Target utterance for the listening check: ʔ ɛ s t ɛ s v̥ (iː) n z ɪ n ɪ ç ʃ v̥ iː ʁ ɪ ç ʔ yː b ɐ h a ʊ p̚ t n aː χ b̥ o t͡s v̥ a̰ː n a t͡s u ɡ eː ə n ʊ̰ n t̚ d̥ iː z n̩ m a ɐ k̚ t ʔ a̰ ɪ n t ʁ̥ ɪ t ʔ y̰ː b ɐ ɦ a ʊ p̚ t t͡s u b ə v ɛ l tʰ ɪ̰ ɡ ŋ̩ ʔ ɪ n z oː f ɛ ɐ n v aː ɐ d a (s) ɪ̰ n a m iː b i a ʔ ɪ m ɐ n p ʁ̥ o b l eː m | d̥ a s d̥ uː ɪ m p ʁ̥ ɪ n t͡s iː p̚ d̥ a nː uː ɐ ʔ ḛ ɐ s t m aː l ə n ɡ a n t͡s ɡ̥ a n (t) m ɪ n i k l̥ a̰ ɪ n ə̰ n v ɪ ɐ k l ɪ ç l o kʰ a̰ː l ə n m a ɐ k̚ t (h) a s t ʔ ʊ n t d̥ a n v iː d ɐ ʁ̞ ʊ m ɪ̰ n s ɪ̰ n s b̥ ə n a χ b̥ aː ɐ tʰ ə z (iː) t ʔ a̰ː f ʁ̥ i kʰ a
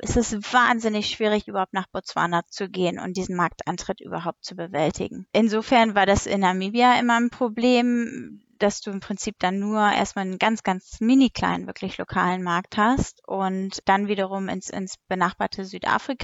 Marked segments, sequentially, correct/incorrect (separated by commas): incorrect, correct, incorrect, correct, incorrect